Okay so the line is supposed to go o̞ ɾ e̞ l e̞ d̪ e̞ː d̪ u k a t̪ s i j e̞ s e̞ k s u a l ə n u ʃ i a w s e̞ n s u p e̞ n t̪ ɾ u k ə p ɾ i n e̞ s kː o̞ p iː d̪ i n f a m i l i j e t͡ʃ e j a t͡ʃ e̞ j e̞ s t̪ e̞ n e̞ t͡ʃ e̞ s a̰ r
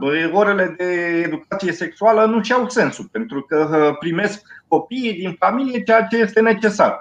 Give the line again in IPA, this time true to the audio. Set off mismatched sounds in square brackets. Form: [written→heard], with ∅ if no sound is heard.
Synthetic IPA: o̞ ɾ e̞ l e̞ d̪ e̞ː d̪ u k a t̪ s i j e̞ s e̞ k s u a l ə n u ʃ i a w s e̞ n s u p e̞ n t̪ ɾ u k ə p ɾ i [n→m] e̞ s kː o̞ p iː d̪ i n f a m i l i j e t͡ʃ e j a t͡ʃ e̞ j e̞ s t̪ e̞ n e̞ t͡ʃ e̞ s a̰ r